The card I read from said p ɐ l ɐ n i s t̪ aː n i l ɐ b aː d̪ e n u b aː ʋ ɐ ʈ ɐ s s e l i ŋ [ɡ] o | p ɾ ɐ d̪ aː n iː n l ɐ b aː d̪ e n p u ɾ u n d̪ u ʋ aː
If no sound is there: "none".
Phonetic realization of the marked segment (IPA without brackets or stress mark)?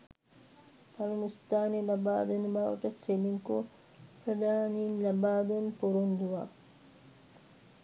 k